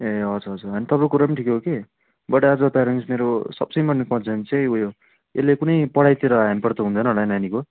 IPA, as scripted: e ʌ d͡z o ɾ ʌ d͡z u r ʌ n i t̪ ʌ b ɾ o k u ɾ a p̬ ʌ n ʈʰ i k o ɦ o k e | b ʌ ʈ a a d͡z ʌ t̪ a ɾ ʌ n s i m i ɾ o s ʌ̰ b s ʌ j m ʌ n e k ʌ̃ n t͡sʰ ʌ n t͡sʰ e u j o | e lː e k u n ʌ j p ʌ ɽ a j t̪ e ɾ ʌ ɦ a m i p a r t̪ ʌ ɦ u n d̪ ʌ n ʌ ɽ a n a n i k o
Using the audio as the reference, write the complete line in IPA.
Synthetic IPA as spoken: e ʌ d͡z u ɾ ʌ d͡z u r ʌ n i t̪ ʌ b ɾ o k u ɾ a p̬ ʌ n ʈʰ i k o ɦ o k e | b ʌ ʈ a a d͡z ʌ t̪ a ɾ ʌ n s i m e ɾ o s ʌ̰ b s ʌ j m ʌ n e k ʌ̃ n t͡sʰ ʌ n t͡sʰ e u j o | e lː e k u n ʌ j p ʌ ɽ a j t̪ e ɾ ʌ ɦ a m i p ʌ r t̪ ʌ ɦ u n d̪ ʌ n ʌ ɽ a n a n i k o